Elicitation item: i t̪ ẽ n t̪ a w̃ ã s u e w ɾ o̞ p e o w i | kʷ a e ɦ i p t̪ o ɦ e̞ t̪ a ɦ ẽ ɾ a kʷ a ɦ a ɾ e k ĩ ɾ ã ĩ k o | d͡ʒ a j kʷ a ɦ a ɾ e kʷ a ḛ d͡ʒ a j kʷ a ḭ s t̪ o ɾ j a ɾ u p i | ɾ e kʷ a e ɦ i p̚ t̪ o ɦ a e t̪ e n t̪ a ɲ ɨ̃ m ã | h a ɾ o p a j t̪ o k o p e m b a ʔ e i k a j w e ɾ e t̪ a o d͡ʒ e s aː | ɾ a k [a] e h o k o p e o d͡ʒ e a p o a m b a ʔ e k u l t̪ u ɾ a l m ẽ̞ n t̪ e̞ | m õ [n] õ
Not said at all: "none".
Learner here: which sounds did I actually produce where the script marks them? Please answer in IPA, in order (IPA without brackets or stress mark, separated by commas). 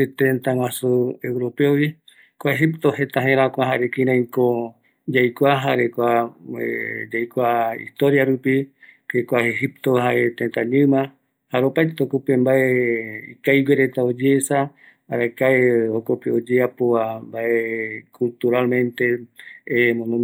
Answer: a, n